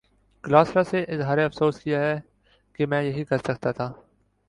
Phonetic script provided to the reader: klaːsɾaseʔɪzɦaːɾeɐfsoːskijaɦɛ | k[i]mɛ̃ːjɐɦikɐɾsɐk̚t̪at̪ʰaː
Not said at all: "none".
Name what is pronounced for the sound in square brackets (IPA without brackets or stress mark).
e